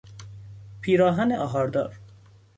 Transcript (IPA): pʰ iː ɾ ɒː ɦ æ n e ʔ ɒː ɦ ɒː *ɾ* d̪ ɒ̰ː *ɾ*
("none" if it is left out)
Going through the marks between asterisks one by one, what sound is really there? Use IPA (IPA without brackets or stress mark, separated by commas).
ɾ, ɾ